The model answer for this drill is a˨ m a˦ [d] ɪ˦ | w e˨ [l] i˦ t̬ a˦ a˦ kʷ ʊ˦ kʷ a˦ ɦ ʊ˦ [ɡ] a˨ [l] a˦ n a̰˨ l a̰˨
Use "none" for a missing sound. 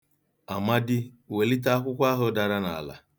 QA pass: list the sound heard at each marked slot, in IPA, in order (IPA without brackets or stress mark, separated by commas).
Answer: d, l, d, ɾ